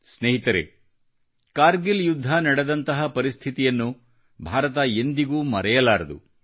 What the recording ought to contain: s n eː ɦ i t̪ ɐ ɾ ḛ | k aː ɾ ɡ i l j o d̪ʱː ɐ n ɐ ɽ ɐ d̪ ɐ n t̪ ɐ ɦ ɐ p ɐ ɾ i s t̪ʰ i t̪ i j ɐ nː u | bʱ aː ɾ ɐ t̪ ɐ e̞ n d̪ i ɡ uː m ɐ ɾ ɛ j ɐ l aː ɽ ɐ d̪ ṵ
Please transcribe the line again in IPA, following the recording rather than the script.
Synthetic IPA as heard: s n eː ɦ i t̪ ɐ ɾ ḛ | k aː ɾ ɡ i l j u d̪ʱː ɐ n ɐ ɽ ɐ d̪ ɐ n t̪ ɐ ɦ ɐ p ɐ ɾ i s t̪ʰ i t̪ i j ɐ nː u | bʱ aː ɾ ɐ t̪ ɐ e̞ n d̪ i ɡ uː m ɐ ɾ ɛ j ɐ l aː ɾ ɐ d̪ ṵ

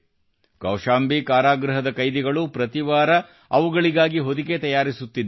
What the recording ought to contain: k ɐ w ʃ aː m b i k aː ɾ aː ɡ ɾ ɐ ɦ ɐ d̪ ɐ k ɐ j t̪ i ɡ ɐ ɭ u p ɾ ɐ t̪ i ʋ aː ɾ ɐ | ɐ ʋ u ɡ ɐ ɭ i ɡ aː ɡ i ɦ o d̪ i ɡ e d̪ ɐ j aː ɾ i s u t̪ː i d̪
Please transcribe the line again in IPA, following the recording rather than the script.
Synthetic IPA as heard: k ɐ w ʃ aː m b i k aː ɾ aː ɡ ɾ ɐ ɦ ɐ d̪ ɐ k ɐ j d̪ i ɡ ɐ ɭ u p ɾ ɐ t̪ i ʋ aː ɾ ɐ | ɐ ʋ u ɡ ɐ ɭ i ɡ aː ɡ i ɦ o d̪ i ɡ e t̪ ɐ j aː ɾ i s u t̪ː i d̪

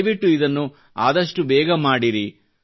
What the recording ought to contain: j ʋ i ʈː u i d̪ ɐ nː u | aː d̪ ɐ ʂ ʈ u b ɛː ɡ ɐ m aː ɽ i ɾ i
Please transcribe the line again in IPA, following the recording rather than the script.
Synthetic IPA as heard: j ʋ i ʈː u i d̪ ɐ nː u | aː d̪ ɐ ʂ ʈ u b ɛː ɡ ɐ m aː ɽ i ɾ i

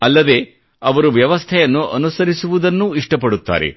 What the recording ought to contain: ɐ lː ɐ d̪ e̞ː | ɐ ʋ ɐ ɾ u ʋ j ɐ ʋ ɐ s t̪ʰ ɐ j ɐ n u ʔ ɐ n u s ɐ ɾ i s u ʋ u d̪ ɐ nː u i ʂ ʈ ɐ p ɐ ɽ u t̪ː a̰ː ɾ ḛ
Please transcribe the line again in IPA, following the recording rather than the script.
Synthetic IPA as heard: ɐ lː ɐ d̪ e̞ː | ɐ ʋ ɐ ɾ u ʋ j ɐ ʋ ɐ s t̪ʰ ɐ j ɐ nː u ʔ ɐ n u s ɐ ɾ i s u ʋ u d̪ ɐ nː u i ʂ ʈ ɐ p ɐ ɽ u t̪ː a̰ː ɾ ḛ

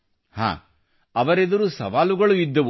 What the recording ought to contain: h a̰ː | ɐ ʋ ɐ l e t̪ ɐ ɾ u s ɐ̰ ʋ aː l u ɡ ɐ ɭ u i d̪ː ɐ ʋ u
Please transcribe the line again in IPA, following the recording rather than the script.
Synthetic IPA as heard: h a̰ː | ɐ ʋ ɐ ɾ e d̪ ɐ ɾ u s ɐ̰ ʋ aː l u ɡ ɐ ɭ u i d̪ː ɐ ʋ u

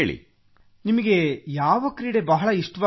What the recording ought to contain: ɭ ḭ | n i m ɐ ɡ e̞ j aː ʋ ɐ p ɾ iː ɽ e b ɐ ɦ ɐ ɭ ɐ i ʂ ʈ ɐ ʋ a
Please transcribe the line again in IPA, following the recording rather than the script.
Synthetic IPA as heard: ɭ ḭ | n i m ɐ ɡ e̞ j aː ʋ ɐ k ɾ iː ɽ e b ɐ ɦ ɐ ɭ ɐ i ʂ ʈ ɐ ʋ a

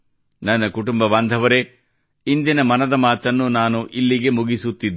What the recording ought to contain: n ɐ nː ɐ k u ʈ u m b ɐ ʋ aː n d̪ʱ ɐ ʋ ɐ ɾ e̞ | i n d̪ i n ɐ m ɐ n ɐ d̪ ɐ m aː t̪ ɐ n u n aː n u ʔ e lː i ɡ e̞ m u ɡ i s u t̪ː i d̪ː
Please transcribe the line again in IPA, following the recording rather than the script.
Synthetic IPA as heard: n ɐ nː ɐ k u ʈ u m b ɐ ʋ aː n d̪ʱ ɐ ʋ ɐ ɾ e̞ | i n d̪ i n ɐ m ɐ n ɐ d̪ ɐ m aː t̪ ɐ nː u n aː n u ʔ i lː i ɡ e̞ m u ɡ i s u t̪ː i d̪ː

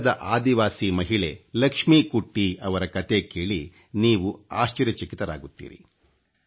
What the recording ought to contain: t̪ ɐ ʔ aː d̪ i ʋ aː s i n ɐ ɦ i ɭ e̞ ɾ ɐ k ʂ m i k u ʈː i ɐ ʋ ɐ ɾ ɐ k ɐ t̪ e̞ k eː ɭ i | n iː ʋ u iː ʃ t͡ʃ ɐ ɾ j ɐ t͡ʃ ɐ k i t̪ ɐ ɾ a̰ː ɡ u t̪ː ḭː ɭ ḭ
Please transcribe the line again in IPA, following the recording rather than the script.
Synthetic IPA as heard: d̪ ɐ ʔ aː d̪ i ʋ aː s i m ɐ ɦ i ɭ e̞ l ɐ k ʂ m i k u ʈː i ɐ ʋ ɐ ɾ ɐ k ɐ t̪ e̞ k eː ɭ i | n iː ʋ u aː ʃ t͡ʃ ɐ ɾ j ɐ t͡ʃ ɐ k i t̪ ɐ ɾ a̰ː ɡ u t̪ː ḭː ɾ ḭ

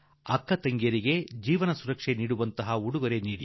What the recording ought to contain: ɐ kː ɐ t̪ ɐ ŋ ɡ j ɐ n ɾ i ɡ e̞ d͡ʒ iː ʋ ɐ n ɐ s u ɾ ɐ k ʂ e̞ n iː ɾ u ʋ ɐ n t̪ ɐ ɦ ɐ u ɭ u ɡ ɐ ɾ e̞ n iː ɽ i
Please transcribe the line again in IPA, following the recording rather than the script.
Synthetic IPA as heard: ɐ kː ɐ t̪ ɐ ŋ ɡ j ɐ ɾ i ɡ e̞ d͡ʒ iː ʋ ɐ n ɐ s u ɾ ɐ k ʂ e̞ n iː ɽ u ʋ ɐ n t̪ ɐ ɦ ɐ u ɽ u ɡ ɐ ɾ e̞ n iː ɽ i

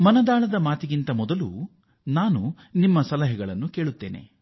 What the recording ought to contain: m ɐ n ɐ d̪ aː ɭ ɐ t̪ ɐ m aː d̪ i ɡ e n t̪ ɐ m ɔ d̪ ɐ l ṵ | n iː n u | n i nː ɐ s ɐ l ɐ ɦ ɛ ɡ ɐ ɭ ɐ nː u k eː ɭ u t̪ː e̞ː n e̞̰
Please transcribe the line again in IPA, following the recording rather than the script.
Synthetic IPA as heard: m ɐ n ɐ d̪ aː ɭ ɐ d̪ ɐ m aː t̪ i ɡ i n t̪ ɐ m ɔ d̪ ɐ l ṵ | n aː n u | n i mː ɐ s ɐ l ɐ ɦ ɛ ɡ ɐ ɭ ɐ nː u k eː ɭ u t̪ː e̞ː n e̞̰

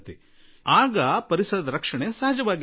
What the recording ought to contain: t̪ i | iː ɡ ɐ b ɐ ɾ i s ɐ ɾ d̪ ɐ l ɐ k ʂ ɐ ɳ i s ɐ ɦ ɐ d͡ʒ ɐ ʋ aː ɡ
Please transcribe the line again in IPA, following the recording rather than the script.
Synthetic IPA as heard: t̪ i | aː ɡ ɐ p ɐ ɾ i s ɐ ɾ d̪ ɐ ɾ ɐ k ʂ ɐ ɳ e s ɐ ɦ ɐ d͡ʒ ɐ ʋ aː ɡ

